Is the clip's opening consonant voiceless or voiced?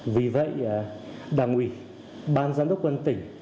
voiced